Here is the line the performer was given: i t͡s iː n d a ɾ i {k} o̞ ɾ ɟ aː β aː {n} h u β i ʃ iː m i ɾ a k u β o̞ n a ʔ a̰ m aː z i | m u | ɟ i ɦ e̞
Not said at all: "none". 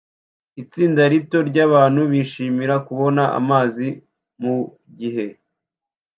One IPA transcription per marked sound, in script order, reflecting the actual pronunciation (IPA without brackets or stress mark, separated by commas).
t, n